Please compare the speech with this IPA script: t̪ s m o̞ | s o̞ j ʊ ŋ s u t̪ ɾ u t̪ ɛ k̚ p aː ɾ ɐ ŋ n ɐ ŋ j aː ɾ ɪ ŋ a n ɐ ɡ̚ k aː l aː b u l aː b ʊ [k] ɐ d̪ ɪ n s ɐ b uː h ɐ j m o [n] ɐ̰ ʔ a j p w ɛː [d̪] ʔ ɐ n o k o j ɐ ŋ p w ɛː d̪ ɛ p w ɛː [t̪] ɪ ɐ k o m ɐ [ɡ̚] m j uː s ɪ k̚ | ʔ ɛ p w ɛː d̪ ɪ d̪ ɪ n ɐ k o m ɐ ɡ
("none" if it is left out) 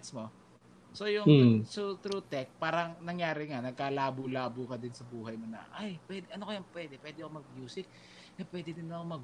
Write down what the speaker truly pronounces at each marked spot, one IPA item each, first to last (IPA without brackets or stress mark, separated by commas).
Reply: k, n, d̪, d̪, ɡ̚